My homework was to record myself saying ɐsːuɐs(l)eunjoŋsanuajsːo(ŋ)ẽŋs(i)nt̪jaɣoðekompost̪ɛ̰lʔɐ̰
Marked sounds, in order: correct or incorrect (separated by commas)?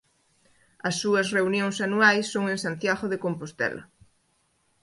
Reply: incorrect, correct, incorrect